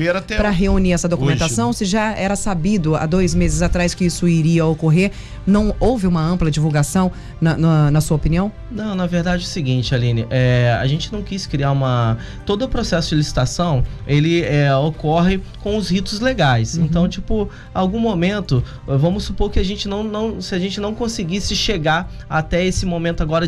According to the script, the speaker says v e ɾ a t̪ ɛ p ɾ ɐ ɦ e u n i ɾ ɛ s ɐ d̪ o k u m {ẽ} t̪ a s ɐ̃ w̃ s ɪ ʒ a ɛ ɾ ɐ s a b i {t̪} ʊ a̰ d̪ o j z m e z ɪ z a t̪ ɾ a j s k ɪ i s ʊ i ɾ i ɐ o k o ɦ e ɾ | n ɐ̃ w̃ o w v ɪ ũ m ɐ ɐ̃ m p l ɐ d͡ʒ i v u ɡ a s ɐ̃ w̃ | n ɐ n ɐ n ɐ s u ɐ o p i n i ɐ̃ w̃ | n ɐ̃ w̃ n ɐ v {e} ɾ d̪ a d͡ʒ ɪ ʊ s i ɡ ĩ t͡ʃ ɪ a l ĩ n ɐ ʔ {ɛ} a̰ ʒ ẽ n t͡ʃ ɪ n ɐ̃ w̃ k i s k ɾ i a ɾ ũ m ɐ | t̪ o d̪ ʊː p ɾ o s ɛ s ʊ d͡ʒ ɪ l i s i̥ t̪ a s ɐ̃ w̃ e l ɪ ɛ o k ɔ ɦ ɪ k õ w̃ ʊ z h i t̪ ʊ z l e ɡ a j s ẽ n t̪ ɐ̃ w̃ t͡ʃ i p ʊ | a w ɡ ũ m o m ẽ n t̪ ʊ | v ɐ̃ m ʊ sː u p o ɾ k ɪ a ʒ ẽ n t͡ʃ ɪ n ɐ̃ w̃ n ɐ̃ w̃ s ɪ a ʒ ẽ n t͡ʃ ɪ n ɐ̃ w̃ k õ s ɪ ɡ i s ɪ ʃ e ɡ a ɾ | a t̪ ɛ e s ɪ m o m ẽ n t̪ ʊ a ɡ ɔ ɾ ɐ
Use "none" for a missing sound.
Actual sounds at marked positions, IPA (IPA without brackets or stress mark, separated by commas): ẽ, d̪, e, ɛ